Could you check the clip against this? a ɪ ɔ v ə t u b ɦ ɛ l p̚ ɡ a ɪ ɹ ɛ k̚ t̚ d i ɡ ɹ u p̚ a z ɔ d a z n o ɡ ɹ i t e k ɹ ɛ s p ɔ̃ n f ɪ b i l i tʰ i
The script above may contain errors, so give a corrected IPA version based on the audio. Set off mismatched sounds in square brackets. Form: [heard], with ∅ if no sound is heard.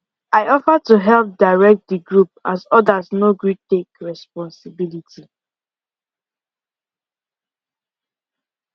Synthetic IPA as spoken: a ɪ ɔ [f] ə t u [∅] ɦ ɛ l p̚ [d] a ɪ ɹ ɛ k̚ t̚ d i ɡ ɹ u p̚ a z ɔ d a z n o ɡ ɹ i t e k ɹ ɛ s p ɔ̃ n [s] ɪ b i l i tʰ i